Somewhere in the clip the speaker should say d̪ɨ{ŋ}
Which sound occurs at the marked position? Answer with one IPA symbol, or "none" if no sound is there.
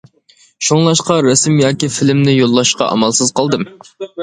m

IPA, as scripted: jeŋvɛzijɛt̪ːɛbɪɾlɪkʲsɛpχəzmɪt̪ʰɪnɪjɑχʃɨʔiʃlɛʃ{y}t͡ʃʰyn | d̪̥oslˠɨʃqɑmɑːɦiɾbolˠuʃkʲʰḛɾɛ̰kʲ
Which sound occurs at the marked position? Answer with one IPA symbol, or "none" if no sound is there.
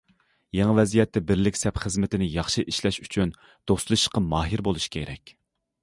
y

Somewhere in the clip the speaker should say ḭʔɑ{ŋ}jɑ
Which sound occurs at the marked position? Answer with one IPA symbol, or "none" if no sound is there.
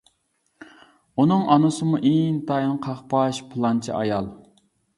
none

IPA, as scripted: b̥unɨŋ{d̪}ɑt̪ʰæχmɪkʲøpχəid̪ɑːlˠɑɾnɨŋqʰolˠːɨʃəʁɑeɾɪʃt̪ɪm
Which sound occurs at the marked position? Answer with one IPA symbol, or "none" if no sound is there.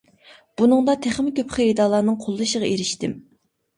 d̪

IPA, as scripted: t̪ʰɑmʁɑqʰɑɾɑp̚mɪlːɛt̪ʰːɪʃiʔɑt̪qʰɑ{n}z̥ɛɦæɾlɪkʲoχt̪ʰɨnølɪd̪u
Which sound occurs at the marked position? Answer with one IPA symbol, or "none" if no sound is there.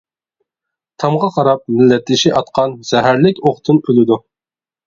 n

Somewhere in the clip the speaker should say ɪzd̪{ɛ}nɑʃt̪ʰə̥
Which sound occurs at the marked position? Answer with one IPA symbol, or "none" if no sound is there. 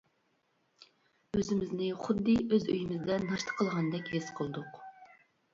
ɛ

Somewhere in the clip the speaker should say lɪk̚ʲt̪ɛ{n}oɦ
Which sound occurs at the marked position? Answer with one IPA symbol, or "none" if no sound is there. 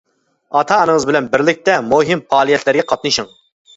m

